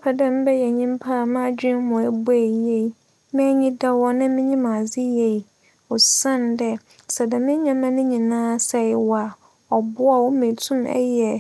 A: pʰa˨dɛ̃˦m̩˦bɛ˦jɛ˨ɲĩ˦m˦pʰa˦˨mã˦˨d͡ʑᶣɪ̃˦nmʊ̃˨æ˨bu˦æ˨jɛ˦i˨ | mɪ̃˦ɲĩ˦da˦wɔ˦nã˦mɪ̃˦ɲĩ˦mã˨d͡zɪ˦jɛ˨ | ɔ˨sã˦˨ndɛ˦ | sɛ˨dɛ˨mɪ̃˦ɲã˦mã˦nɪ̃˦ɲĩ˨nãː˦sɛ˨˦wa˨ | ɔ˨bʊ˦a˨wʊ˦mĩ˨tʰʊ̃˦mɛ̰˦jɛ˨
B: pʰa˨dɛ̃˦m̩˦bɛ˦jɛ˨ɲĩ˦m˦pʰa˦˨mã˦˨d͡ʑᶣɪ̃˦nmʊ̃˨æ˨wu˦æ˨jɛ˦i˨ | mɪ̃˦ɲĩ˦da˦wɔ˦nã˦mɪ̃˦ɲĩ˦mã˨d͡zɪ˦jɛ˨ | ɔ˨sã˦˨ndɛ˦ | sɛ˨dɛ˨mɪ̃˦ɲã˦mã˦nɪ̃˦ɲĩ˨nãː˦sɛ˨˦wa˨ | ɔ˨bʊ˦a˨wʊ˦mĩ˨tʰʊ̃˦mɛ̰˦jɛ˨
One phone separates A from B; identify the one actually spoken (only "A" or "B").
A